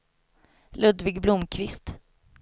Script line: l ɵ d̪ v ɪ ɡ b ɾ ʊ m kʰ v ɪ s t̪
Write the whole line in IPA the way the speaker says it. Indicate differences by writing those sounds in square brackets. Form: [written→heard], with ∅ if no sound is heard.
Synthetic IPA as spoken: l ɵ d̪ v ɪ ɡ b [ɾ→l] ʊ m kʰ v ɪ s t̪